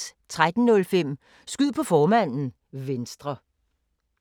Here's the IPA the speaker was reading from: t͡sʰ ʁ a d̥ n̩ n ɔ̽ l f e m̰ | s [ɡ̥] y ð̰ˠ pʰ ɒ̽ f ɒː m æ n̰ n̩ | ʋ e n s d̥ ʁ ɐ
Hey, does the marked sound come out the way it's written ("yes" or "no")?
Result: yes